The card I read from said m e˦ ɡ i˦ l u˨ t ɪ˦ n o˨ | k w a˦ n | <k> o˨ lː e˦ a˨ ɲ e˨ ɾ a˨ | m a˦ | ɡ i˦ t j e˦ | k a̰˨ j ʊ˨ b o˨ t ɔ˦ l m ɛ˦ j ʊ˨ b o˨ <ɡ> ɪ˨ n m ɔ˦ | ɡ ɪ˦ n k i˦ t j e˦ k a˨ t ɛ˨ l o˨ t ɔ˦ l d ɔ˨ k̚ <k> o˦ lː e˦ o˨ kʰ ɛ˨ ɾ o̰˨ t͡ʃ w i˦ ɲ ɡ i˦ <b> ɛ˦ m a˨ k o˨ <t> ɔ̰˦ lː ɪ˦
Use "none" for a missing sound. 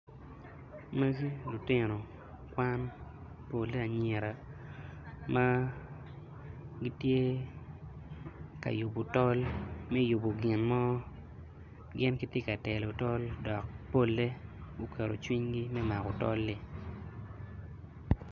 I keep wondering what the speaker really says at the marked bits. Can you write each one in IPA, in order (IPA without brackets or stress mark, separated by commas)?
p, ɡ, p, m, t